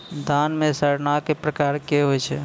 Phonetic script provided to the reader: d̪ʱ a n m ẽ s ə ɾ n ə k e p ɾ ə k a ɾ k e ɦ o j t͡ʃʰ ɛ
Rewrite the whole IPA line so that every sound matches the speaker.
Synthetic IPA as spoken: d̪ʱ a n m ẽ s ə ɾ n a k e p ɾ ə k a ɾ k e ɦ o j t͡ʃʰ ɛ

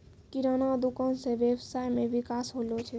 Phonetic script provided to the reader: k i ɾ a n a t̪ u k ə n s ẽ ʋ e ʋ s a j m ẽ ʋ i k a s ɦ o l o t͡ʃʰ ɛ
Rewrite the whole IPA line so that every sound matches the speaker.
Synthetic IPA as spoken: k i ɾ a n a d̪ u k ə n s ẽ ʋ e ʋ s a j m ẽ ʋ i k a s ɦ o l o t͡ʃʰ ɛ

